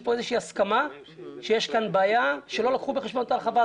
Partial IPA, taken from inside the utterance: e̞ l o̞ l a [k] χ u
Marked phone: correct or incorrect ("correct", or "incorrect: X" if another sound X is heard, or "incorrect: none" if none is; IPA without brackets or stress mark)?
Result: correct